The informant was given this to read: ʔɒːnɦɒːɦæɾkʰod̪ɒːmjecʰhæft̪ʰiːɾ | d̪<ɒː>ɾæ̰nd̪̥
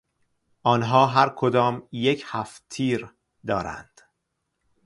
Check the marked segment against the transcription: correct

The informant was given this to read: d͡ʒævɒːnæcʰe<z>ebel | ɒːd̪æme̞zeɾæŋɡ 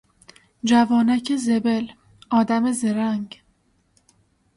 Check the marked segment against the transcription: correct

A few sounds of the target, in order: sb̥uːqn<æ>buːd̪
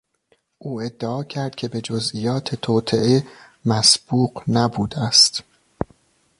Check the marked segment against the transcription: correct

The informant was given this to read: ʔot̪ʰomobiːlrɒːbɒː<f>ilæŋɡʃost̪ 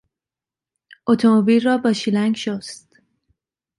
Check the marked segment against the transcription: incorrect: ʃ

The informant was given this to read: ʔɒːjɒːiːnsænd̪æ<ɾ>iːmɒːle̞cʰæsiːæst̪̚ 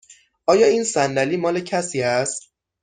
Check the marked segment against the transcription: incorrect: l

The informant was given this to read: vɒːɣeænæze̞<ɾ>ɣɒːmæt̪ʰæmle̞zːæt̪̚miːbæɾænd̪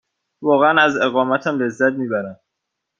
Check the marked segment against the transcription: incorrect: none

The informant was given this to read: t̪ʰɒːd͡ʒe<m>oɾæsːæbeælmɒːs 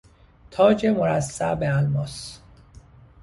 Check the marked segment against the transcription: correct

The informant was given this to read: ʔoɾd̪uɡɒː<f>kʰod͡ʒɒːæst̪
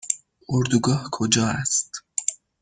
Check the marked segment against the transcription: incorrect: h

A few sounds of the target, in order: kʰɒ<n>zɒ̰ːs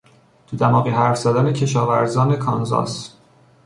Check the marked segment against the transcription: correct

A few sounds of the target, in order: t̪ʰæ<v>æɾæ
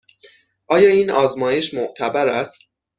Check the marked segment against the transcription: incorrect: b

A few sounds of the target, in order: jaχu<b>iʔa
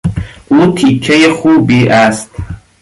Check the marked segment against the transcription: correct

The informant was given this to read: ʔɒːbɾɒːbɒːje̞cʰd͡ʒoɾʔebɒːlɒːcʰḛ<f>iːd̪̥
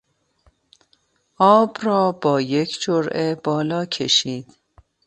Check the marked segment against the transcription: incorrect: ʃ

